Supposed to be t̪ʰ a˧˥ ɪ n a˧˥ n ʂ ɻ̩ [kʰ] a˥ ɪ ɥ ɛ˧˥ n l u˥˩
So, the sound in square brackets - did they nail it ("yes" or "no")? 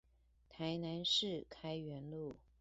yes